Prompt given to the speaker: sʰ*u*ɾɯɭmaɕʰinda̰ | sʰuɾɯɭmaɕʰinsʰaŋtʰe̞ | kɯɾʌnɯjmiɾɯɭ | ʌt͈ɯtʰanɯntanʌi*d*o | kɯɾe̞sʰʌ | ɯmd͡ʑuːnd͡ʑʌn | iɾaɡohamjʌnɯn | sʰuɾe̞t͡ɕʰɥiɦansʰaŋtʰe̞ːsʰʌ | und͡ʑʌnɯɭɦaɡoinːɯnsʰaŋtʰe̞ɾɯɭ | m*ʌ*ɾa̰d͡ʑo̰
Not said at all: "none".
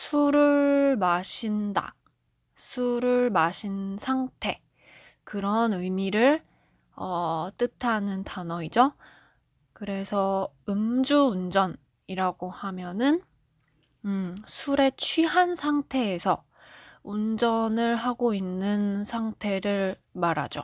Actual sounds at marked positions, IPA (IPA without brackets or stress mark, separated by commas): u, d͡ʑ, a